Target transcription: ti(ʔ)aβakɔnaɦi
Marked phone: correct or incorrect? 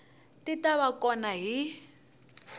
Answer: incorrect